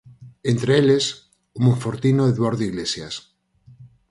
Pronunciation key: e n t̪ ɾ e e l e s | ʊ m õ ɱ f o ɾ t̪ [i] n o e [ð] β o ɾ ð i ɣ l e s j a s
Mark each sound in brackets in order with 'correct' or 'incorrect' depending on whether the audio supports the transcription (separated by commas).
correct, correct